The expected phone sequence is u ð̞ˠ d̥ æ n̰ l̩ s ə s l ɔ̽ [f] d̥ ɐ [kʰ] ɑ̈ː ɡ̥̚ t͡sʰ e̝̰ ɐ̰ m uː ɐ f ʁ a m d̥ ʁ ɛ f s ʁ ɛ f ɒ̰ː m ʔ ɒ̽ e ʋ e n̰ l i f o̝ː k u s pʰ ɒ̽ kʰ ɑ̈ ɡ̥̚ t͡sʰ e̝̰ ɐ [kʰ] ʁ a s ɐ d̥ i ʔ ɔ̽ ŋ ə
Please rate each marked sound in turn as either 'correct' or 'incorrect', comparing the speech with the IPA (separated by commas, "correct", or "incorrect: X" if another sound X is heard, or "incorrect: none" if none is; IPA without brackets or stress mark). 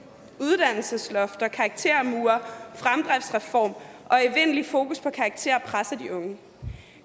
correct, correct, incorrect: pʰ